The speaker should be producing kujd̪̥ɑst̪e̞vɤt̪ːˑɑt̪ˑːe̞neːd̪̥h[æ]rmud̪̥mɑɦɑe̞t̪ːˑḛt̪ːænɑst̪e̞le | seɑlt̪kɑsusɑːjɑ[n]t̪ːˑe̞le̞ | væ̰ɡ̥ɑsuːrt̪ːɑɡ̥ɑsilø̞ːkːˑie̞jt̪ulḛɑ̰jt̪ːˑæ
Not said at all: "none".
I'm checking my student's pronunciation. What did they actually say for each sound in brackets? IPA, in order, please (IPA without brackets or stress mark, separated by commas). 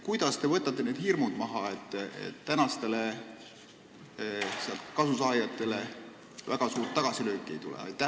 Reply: i, none